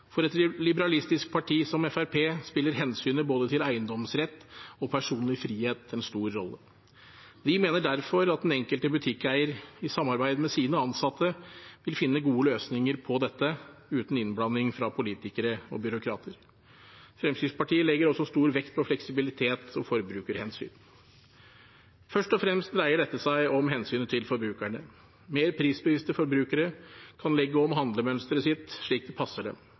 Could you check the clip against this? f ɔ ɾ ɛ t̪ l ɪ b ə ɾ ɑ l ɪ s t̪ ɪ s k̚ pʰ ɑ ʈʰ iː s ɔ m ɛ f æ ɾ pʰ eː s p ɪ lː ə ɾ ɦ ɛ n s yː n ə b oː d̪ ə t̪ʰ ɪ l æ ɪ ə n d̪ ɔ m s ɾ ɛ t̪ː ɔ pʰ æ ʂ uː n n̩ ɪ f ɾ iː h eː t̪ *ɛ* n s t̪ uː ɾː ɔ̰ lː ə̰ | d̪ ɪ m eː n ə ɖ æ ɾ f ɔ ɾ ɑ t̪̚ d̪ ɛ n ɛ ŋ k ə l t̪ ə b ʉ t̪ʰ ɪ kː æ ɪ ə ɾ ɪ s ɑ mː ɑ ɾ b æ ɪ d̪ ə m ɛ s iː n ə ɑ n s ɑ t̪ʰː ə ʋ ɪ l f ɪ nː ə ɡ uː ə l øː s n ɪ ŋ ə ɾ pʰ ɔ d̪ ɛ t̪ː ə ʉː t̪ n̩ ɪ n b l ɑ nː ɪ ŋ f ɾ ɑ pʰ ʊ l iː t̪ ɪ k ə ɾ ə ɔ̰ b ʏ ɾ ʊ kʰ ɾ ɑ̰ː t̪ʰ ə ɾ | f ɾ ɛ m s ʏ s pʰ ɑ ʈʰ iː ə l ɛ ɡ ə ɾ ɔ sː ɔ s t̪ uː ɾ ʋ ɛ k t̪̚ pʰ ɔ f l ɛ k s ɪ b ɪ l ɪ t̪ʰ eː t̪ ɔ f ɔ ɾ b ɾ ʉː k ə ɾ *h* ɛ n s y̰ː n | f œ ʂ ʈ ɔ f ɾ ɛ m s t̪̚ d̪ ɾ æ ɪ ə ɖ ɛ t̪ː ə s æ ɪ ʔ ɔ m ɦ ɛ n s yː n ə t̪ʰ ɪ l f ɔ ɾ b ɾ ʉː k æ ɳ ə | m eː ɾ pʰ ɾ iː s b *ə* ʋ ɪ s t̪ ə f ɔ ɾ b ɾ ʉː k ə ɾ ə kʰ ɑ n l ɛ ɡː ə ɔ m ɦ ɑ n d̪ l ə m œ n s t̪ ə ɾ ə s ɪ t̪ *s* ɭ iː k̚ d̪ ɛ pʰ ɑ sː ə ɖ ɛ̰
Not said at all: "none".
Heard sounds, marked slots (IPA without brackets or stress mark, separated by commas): ɛ, h, ə, ʂ